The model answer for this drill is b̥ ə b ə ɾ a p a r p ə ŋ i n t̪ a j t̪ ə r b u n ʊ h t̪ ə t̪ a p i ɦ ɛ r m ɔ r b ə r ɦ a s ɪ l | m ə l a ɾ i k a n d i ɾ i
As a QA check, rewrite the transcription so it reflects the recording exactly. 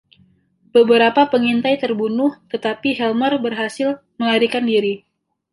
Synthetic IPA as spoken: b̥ ə b ə ɾ a p a p ə ŋ i n t̪ a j t̪ ə r b u n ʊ h t̪ ə t̪ a p i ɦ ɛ l m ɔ r b ə r ɦ a s ɪ l | m ə l a ɾ i k a n d i ɾ i